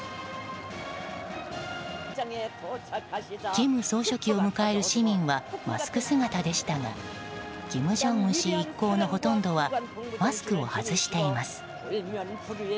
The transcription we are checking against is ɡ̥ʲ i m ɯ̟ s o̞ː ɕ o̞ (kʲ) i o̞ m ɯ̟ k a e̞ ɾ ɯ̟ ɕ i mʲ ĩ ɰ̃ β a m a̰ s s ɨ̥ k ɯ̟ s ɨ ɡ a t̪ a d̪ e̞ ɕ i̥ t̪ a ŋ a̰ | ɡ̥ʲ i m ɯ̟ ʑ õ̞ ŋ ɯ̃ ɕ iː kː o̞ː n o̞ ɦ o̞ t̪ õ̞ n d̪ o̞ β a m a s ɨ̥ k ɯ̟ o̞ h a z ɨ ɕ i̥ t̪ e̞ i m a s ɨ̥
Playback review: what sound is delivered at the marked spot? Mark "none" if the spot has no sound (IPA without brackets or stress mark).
kʲ